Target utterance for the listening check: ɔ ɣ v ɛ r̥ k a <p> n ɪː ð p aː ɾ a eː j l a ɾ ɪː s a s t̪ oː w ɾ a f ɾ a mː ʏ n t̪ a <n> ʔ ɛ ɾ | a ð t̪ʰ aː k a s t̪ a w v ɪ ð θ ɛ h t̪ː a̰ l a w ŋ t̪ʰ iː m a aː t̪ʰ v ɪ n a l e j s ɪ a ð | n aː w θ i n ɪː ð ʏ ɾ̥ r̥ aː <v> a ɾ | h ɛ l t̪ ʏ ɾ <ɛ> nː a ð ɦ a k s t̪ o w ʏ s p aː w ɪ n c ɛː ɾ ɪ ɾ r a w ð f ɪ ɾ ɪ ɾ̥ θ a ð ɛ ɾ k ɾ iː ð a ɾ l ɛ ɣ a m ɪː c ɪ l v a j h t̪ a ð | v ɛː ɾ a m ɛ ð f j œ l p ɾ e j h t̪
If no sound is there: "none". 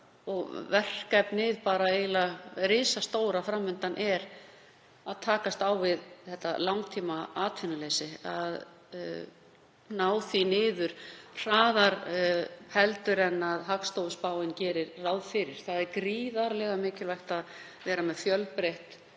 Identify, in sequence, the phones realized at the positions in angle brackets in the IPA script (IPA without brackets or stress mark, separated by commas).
p, n, ð, ɛ